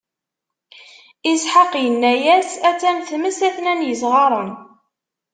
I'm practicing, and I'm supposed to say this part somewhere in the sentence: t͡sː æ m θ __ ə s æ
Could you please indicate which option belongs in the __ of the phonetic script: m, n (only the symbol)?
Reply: m